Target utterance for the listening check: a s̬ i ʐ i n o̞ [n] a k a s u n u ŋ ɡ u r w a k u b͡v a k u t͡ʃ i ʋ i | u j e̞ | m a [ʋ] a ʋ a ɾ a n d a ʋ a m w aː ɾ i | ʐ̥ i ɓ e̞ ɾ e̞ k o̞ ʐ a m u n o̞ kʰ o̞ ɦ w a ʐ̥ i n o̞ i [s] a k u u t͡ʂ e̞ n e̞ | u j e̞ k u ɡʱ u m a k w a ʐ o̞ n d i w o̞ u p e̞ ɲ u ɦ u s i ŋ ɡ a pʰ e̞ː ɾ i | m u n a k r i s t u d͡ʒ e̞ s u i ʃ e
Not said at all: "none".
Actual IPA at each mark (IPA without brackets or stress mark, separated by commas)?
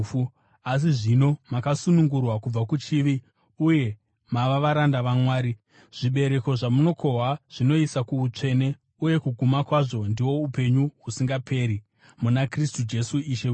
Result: m, ʋ, s